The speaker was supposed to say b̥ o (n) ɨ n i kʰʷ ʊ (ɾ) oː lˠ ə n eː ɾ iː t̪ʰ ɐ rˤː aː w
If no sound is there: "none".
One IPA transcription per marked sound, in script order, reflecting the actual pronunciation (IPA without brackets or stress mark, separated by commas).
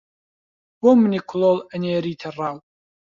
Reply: m, l